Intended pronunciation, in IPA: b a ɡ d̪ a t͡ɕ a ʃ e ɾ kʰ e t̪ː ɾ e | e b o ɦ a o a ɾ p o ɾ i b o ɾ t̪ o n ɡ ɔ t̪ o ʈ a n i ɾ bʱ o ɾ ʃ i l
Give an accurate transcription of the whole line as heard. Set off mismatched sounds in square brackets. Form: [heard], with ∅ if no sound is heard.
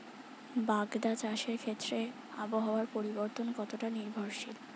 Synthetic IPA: b a ɡ d̪ a t͡ɕ a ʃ e ɾ kʰ e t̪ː ɾ e | [a] b o ɦ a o a ɾ p o ɾ i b o ɾ t̪ o n [k] ɔ t̪ o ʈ a n i ɾ bʱ o ɾ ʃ i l

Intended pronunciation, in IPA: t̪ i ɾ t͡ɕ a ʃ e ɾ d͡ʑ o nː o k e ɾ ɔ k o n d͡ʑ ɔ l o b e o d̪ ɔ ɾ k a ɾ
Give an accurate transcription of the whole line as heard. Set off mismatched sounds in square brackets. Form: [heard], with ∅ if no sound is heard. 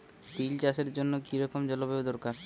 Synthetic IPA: t̪ i [l] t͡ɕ a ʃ e ɾ d͡ʑ o nː o k [i] ɾ ɔ k o [m] d͡ʑ ɔ l o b e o d̪ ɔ ɾ k a ɾ

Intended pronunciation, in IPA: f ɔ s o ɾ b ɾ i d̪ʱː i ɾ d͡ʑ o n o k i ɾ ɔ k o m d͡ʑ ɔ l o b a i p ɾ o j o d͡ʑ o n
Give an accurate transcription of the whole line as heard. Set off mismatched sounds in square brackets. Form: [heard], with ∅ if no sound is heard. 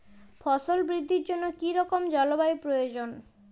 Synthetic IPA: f ɔ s o [l] b ɾ i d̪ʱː i ɾ d͡ʑ o [nː] o k i ɾ ɔ k o m d͡ʑ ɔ l o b a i p ɾ o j o d͡ʑ o n

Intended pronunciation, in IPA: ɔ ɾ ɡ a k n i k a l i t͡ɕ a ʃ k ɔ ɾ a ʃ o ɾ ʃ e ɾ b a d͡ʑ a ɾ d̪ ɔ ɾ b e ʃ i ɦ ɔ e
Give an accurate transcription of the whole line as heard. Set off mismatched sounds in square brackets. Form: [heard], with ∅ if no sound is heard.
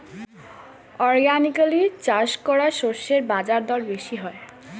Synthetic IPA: ɔ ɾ ɡ a [∅] n i k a l i t͡ɕ a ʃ k ɔ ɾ a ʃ o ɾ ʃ e ɾ b a d͡ʑ a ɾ d̪ ɔ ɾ b e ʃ i ɦ ɔ e

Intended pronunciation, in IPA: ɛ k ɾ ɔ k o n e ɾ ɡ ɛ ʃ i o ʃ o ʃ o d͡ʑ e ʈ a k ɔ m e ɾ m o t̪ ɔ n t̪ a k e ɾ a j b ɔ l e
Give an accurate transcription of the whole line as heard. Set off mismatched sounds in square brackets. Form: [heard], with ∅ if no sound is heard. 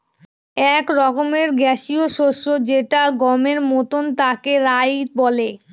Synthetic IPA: ɛ k ɾ ɔ k o [m] e ɾ ɡ ɛ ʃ i o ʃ o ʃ o d͡ʑ e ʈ a [ɡ] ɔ m e ɾ m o t̪ [o] n t̪ a k e ɾ a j b ɔ l e

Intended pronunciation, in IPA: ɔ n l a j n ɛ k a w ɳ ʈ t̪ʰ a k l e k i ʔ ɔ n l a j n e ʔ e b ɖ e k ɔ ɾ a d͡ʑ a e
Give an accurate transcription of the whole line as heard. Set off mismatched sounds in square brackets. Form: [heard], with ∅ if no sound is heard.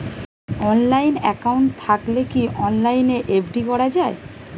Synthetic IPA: ɔ n l a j n ɛ k a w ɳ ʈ t̪ʰ a k l e k i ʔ ɔ n l a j n e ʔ e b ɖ [i] k ɔ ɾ a d͡ʑ a e

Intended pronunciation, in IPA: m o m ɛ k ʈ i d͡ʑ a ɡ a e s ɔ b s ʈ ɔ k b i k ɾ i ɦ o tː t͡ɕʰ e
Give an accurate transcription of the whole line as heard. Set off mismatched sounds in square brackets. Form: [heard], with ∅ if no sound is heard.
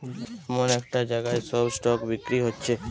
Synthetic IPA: m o [n] ɛ k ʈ [a] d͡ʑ a ɡ a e s ɔ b s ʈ ɔ k b i k ɾ i ɦ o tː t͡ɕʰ e

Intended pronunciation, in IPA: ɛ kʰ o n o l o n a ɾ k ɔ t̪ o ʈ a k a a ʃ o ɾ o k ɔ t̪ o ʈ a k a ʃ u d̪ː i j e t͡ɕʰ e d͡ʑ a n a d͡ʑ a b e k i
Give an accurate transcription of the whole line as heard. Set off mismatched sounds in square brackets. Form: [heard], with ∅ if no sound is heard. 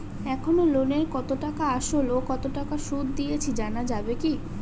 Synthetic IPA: ɛ kʰ o n o l o n [e] ɾ k ɔ t̪ o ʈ a k a a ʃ o [l] o k ɔ t̪ o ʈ a k a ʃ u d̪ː i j e t͡ɕʰ [i] d͡ʑ a n a d͡ʑ a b e k i

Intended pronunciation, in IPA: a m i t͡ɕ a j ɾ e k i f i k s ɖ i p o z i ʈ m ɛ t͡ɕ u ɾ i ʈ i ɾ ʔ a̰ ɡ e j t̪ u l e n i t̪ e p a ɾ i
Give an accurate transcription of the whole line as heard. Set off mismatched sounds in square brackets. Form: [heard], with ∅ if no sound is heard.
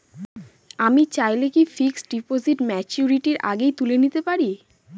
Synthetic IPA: a m i t͡ɕ a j [l] e k i f i k s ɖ i p o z i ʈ m ɛ t͡ɕ u ɾ i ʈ i ɾ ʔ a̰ ɡ e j t̪ u l e n i t̪ e p a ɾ i

